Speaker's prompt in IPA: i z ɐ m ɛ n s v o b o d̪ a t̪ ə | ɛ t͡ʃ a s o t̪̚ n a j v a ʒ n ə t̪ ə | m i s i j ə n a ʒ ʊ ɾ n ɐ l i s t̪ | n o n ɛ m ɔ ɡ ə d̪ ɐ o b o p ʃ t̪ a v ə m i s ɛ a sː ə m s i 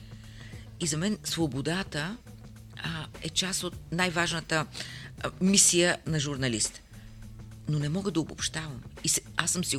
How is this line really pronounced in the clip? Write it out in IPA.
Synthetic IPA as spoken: i z ɐ m ɛ n s v o b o d̪ a t̪ ə | ɛ t͡ʃ a s o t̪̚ n a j v a ʒ n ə t̪ ə | m i s i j ə n ɐ ʒ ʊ ɾ n ɐ l i s t̪ | n o n ɛ m ɔ ɡ ə d̪ ɐ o b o p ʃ t̪ a v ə m i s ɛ a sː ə m s i